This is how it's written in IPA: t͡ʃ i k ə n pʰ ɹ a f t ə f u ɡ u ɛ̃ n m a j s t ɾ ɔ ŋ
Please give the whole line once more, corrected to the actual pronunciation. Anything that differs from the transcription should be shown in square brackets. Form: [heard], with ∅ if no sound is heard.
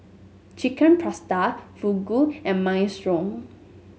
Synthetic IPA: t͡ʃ i k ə n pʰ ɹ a [s] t [a] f u ɡ u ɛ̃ n m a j s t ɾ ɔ ŋ